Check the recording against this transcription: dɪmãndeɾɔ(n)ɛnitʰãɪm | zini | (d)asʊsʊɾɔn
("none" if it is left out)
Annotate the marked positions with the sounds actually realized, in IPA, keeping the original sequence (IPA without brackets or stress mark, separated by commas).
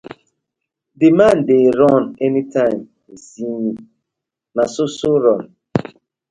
n, n